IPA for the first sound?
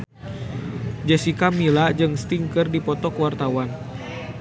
d͡ʒ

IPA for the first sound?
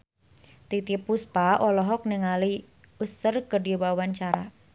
t̪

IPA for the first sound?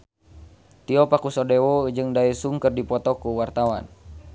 t̪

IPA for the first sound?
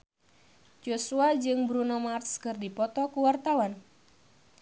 d͡ʒ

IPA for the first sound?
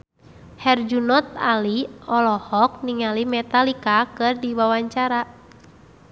h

